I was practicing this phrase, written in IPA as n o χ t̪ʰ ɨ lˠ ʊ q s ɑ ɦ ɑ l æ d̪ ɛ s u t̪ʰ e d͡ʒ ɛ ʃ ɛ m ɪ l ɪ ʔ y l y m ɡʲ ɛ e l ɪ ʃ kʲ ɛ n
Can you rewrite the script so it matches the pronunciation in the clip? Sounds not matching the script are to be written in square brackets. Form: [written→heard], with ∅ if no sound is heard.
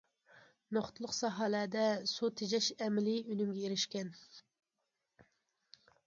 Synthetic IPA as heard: n o χ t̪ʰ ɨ lˠ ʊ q s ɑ ɦ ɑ l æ d̪ ɛ s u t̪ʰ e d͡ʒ ɛ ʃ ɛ m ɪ l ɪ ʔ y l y m ɡʲ ɛ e [l→ɾ] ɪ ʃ kʲ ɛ n

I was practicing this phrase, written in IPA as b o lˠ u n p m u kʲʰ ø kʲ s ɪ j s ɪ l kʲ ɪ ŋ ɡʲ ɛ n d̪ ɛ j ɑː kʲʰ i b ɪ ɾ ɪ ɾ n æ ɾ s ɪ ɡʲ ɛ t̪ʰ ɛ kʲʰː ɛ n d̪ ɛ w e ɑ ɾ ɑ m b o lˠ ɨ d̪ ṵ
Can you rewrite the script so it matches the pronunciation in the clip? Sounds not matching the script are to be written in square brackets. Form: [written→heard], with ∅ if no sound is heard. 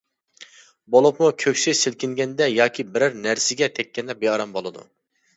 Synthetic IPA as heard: b o lˠ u [n→∅] p m u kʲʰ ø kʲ s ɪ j s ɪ l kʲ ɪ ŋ ɡʲ ɛ n d̪ ɛ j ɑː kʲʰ i b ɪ ɾ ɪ ɾ n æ ɾ s ɪ ɡʲ ɛ t̪ʰ ɛ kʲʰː ɛ n d̪ ɛ [w→b] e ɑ ɾ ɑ m b o lˠ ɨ d̪ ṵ

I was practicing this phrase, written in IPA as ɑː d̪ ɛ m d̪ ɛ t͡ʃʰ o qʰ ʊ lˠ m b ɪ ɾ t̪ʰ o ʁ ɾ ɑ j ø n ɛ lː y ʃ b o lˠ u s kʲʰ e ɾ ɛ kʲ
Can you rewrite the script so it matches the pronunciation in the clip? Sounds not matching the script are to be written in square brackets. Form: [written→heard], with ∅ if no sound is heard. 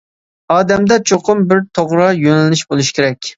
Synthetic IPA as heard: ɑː d̪ ɛ m d̪ ɛ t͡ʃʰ o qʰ ʊ [lˠ→∅] m b ɪ ɾ t̪ʰ o ʁ ɾ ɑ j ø n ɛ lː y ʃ b o lˠ u [s→ʃ] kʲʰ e ɾ ɛ kʲ

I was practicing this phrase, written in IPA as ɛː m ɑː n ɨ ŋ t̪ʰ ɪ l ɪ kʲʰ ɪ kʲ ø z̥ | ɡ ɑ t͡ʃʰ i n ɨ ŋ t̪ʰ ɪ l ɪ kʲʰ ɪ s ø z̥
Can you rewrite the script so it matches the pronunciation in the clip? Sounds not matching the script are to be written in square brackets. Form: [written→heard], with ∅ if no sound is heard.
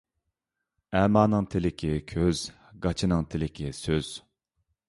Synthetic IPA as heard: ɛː m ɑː n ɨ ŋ t̪ʰ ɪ l ɪ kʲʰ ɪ [kʲ→kʲʰ] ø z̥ | ɡ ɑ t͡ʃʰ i n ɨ ŋ t̪ʰ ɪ l ɪ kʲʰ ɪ s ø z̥

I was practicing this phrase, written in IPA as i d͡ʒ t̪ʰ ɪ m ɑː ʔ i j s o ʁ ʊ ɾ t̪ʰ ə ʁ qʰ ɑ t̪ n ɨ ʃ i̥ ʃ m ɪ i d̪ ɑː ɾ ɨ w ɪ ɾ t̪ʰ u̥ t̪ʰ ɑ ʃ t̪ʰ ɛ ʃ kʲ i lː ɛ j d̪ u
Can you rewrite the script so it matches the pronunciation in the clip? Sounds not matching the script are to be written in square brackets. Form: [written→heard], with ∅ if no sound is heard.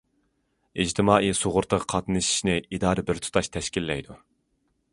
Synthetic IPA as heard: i d͡ʒ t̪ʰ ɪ m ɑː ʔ i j s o ʁ ʊ ɾ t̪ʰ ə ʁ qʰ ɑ t̪ n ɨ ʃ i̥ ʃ [m→n] ɪ i d̪ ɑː ɾ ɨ [w→b] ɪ ɾ t̪ʰ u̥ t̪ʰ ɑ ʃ t̪ʰ ɛ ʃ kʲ i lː ɛ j d̪ u

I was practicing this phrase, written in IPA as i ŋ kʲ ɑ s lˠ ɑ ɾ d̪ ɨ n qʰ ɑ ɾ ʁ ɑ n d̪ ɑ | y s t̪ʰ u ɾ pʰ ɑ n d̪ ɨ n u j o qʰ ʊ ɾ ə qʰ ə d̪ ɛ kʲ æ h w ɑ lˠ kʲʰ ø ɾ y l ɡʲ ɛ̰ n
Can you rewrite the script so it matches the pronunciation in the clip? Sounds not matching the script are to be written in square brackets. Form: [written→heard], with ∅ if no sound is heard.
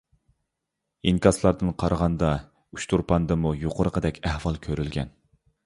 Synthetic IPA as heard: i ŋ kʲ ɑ s lˠ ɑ ɾ d̪ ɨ n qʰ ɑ ɾ ʁ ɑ n d̪ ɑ | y [s→ʃ] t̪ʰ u ɾ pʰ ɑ n d̪ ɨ [n→m] u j o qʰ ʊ ɾ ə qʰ ə d̪ ɛ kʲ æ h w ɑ lˠ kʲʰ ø ɾ y l ɡʲ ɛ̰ n

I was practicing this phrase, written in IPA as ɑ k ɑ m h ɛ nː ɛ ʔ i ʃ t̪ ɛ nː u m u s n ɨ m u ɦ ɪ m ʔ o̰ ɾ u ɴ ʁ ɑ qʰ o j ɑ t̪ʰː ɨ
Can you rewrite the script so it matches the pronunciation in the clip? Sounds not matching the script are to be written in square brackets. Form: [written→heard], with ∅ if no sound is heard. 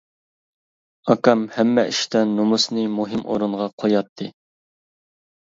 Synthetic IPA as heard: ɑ k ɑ m h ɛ [nː→mː] ɛ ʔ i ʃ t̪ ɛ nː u m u s n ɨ m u ɦ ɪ m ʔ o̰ ɾ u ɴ ʁ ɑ qʰ o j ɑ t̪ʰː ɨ

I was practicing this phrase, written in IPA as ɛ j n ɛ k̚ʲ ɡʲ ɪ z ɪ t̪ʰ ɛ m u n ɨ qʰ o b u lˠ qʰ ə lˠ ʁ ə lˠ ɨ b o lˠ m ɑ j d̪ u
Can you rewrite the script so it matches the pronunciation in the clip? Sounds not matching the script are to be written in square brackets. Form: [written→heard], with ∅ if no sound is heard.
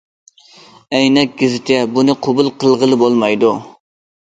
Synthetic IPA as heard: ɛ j n ɛ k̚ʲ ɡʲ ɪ z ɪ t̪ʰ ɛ [m→b] u n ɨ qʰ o b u lˠ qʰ ə lˠ ʁ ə lˠ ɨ b o lˠ m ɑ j d̪ u

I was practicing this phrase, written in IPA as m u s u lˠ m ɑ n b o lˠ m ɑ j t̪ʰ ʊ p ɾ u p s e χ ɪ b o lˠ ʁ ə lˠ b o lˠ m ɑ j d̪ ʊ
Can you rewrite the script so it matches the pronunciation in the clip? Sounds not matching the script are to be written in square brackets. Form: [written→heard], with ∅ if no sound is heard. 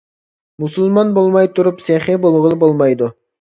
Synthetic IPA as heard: m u s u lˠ m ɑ n b o lˠ m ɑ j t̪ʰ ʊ [p→∅] ɾ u p s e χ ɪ b o lˠ ʁ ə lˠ b o lˠ m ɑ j d̪ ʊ

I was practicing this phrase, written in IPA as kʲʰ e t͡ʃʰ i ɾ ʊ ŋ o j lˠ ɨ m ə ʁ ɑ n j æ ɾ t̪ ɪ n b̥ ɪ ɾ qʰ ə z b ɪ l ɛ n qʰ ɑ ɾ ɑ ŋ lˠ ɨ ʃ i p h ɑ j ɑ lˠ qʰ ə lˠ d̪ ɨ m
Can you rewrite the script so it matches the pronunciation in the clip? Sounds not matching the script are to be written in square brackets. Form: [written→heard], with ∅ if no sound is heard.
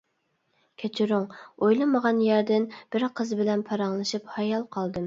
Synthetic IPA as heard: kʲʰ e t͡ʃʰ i ɾ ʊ ŋ o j lˠ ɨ m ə ʁ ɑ n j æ ɾ [t̪→d̪] ɪ n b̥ ɪ ɾ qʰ ə z b ɪ l ɛ n [qʰ→pʰ] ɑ ɾ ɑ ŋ lˠ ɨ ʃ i p h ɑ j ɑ lˠ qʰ [ə→ɑ] lˠ d̪ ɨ m

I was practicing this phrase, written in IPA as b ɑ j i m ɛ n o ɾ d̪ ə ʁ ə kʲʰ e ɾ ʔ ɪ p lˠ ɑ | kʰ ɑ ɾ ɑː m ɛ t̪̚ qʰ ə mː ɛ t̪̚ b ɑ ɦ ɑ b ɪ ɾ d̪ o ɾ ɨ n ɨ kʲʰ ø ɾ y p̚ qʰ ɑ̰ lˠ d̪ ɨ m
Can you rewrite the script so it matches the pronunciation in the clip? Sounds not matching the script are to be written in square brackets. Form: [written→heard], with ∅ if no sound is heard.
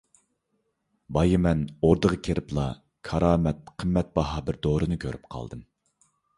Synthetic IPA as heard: b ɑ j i m ɛ n o ɾ d̪ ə ʁ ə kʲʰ e ɾ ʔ ɪ p lˠ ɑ | kʰ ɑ ɾ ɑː m ɛ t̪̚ qʰ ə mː ɛ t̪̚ b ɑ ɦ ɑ b ɪ ɾ d̪ o ɾ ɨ n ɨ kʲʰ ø ɾ y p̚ qʰ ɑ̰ lˠ d̪ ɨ m

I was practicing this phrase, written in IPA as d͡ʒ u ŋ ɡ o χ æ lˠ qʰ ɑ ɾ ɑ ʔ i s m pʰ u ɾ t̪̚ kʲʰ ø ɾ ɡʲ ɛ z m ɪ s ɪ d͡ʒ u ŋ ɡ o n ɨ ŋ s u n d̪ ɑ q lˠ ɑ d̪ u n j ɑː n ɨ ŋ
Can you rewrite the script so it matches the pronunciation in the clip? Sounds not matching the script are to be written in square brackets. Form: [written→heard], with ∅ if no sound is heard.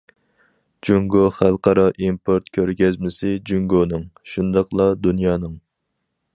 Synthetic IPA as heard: d͡ʒ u ŋ ɡ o χ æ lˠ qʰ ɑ ɾ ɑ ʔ i [s→∅] m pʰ [u→o] ɾ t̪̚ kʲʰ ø ɾ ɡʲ ɛ z m ɪ s ɪ d͡ʒ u ŋ ɡ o n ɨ ŋ [s→ʃ] u n d̪ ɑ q lˠ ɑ d̪ u n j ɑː n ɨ ŋ

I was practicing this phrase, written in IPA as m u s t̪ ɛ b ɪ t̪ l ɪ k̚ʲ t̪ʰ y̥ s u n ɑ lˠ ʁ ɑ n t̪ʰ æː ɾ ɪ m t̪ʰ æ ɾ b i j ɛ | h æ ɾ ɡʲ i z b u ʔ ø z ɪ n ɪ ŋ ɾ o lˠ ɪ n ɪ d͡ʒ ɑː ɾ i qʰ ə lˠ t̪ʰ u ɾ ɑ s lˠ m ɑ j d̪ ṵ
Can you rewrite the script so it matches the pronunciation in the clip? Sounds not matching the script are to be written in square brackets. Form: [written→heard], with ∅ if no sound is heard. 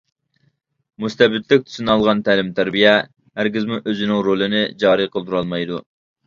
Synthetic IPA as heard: m u s t̪ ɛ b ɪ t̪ l ɪ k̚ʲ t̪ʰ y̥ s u n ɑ lˠ ʁ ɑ n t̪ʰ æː [ɾ→l] ɪ m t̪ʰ æ ɾ b i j ɛ | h æ ɾ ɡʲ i z [b→m] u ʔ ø z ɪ n ɪ ŋ ɾ o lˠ ɪ n ɪ d͡ʒ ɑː ɾ i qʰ ə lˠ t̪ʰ u ɾ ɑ [s→∅] lˠ m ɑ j d̪ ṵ

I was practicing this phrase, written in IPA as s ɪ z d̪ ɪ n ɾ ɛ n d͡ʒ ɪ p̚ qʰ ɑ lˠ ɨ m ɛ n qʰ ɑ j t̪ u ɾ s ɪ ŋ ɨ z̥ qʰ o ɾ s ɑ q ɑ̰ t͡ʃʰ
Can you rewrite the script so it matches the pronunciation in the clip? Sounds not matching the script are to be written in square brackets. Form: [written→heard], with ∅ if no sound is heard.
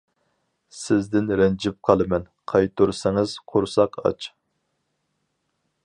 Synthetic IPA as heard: s ɪ z d̪ ɪ n ɾ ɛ n d͡ʒ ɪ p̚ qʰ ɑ lˠ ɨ m ɛ n qʰ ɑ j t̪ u ɾ s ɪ ŋ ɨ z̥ qʰ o ɾ s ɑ q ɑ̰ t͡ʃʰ

